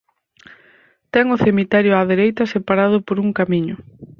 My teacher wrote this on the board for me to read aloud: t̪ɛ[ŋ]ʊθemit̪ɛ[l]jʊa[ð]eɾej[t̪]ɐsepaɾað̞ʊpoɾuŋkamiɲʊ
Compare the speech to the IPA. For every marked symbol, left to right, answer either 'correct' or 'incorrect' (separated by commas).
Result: correct, incorrect, correct, correct